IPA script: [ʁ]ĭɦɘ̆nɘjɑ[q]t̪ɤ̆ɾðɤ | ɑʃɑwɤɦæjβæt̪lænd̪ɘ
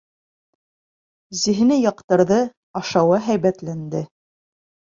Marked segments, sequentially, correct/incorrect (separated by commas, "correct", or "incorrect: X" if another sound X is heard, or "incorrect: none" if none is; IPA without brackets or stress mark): incorrect: z, correct